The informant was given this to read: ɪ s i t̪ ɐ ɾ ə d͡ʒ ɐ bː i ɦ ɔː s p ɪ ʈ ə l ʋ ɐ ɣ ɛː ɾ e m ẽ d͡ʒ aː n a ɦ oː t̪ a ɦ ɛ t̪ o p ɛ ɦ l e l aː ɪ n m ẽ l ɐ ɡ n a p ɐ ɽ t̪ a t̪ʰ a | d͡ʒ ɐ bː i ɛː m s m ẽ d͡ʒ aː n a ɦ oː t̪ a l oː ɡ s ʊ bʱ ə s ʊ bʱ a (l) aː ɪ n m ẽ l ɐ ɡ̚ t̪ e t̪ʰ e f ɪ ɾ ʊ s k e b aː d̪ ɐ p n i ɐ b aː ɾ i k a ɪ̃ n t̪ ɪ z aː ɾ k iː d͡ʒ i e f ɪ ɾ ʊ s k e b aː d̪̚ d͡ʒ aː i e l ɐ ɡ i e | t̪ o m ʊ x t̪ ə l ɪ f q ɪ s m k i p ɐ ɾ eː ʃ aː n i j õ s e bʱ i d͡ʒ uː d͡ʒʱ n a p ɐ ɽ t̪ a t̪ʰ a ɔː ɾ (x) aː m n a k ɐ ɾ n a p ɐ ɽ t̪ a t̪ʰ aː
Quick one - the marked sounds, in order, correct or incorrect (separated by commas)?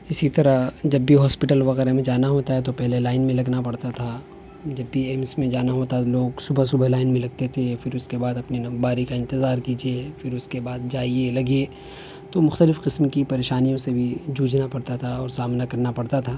correct, incorrect